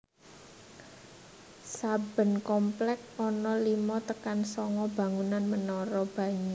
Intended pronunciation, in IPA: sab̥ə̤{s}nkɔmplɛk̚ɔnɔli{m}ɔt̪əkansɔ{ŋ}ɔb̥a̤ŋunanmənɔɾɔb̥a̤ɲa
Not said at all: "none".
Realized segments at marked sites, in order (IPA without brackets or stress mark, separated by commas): none, m, ŋ